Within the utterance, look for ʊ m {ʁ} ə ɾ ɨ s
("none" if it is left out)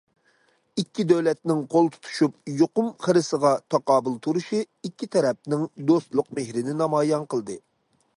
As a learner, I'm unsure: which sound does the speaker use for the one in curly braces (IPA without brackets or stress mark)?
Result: χ